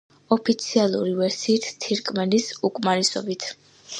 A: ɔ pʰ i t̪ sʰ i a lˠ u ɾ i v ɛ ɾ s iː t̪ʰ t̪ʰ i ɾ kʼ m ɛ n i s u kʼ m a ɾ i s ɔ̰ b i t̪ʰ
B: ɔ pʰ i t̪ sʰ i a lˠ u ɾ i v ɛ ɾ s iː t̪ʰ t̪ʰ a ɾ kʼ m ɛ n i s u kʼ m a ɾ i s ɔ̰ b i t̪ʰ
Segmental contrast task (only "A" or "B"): A